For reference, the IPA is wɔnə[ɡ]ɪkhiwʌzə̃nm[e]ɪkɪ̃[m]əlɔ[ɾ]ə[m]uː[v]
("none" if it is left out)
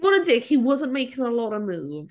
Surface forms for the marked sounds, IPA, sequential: d, e, ŋ, ɾ, m, v

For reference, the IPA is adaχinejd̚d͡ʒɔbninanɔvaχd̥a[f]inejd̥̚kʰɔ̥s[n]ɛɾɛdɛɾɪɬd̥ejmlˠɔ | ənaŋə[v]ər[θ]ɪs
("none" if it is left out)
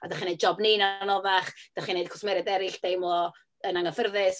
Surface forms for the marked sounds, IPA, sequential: χ, m, f, ð

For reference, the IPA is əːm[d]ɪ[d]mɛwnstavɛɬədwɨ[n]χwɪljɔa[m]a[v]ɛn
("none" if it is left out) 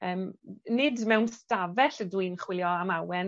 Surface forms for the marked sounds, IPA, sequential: n, d, n, m, w

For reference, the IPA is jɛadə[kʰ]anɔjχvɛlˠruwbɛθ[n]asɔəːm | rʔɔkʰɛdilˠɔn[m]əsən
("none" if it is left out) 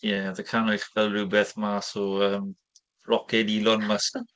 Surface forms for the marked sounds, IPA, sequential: kʰ, m, m

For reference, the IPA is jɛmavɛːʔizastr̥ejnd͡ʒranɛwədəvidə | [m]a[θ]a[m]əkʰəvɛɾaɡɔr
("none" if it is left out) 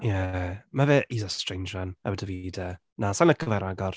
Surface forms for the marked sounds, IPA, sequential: n, s, n

